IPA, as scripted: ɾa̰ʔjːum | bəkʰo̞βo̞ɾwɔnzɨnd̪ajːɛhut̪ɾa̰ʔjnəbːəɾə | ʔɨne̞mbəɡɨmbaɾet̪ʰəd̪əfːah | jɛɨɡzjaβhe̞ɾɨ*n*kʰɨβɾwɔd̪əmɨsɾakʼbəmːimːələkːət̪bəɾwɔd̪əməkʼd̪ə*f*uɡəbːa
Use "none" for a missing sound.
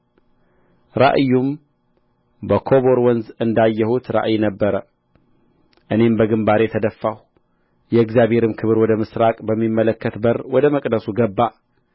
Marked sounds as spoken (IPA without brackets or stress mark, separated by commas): m, s